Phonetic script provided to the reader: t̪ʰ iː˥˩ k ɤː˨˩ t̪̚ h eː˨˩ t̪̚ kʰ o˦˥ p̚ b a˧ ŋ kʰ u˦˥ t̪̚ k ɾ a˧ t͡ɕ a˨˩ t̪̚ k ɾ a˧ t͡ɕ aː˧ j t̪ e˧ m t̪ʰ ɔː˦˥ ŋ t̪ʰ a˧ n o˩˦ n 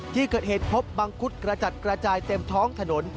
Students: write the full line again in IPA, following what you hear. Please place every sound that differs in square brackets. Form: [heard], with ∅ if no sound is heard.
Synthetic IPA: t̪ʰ iː˥˩ k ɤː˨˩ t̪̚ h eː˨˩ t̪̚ [pʰ] o˦˥ p̚ b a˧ ŋ kʰ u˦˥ t̪̚ k ɾ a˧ t͡ɕ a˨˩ t̪̚ k ɾ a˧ t͡ɕ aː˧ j t̪ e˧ m t̪ʰ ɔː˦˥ ŋ t̪ʰ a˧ n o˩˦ n